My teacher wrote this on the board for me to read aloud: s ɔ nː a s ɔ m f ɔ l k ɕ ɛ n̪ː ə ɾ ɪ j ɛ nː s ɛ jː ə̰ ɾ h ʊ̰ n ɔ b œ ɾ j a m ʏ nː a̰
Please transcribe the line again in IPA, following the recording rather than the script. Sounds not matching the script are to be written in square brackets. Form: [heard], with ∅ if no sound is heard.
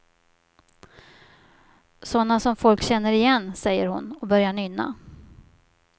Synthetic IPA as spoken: s ɔ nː a s ɔ m f ɔ l k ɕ ɛ n̪ː ə ɾ ɪ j ɛ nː s ɛ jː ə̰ ɾ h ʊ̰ n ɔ b œ ɾ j a [ɳ] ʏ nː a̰